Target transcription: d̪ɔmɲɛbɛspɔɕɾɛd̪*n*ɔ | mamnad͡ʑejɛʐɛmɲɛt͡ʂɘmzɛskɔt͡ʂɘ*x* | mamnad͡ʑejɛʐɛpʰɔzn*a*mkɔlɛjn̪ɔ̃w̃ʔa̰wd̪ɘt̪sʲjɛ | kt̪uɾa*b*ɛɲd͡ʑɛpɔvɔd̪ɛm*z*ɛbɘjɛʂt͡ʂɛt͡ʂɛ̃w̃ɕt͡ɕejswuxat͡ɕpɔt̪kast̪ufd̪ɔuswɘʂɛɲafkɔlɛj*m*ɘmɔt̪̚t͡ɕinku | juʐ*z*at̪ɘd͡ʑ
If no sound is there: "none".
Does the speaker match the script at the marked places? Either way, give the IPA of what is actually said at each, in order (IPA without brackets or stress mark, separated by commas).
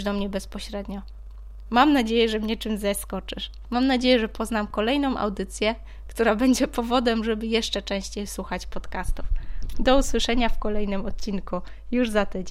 ɲ, ʂ, a, b, ʐ, n, z